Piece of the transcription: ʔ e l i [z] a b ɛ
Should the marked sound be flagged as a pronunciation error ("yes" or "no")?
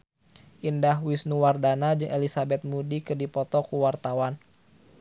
yes